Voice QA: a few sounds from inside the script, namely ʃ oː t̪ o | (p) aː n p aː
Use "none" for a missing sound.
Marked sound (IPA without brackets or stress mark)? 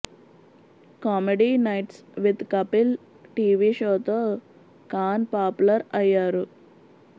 k